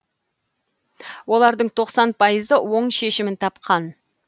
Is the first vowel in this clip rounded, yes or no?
yes